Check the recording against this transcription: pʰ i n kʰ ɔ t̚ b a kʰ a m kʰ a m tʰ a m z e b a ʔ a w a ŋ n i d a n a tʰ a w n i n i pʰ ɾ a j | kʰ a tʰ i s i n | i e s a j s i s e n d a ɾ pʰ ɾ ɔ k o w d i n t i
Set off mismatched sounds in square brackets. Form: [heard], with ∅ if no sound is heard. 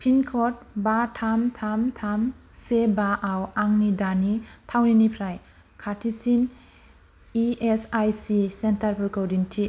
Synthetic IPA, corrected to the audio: pʰ i n kʰ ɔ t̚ b a [tʰ] a m [tʰ] a m tʰ a m [s] e b a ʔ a w a ŋ n i d a n [i] tʰ a w n i n i pʰ ɾ a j | kʰ a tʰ i s i n | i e s a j s i s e n [t] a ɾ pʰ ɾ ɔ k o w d i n [tʰ] i